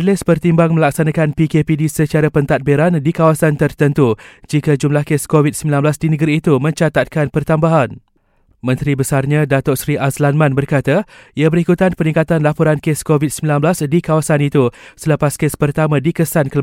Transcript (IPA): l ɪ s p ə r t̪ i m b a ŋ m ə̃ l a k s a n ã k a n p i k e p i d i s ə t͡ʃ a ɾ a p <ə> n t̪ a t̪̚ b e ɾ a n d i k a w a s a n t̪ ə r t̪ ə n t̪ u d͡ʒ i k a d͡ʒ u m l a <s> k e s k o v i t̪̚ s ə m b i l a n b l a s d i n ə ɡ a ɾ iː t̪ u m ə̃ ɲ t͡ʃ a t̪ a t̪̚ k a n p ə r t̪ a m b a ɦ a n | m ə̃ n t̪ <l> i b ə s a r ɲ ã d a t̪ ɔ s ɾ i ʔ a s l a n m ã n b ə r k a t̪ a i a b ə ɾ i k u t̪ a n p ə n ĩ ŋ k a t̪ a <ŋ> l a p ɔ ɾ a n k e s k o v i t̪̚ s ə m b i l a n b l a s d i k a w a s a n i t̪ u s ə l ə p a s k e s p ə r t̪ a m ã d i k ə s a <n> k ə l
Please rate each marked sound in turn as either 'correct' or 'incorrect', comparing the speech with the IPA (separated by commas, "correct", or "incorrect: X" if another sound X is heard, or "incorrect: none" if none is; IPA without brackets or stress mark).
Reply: correct, incorrect: h, incorrect: ɾ, incorrect: n, correct